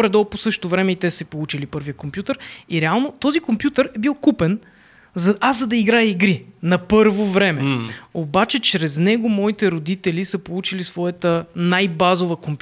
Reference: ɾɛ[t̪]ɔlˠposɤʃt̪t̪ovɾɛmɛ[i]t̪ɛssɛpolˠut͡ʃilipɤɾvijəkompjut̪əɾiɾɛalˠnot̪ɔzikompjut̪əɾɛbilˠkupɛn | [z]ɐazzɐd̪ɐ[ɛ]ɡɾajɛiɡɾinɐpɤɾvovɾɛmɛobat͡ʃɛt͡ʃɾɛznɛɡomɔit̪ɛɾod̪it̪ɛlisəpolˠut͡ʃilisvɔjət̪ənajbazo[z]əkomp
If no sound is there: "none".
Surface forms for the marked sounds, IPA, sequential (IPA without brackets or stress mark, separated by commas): d̪, i, z, i, v